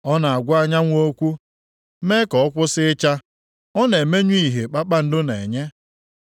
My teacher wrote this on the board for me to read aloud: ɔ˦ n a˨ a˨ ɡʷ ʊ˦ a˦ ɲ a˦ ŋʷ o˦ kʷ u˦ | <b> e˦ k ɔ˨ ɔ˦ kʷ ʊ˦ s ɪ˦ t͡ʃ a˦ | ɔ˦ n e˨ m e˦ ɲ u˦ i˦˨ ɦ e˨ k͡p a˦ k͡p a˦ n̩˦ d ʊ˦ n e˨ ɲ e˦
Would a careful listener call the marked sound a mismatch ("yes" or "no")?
yes